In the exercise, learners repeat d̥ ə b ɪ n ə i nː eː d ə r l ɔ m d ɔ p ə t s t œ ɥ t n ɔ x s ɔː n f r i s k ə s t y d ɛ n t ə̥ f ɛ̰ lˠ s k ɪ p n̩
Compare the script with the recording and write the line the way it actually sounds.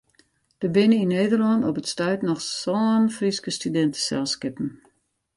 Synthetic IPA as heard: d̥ ə b ɪ n ə i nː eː d ə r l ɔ n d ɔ p ə t s t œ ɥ t n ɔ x s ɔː n f r i s k ə s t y d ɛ n t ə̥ s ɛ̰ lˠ s k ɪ p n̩

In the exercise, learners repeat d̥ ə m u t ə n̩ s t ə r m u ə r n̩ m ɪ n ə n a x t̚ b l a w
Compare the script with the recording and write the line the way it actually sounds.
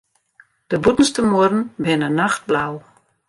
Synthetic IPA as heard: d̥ ə b u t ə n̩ s t ə m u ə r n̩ b ɪ n ə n a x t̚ b l a w

